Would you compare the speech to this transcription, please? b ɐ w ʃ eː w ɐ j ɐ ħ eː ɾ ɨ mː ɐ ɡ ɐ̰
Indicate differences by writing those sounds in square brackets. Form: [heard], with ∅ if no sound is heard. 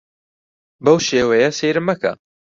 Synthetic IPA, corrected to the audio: b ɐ w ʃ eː w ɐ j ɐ [s] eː ɾ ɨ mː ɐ [k] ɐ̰